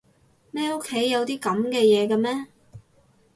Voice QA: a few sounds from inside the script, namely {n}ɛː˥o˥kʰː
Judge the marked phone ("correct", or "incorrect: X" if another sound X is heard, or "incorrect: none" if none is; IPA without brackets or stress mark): incorrect: m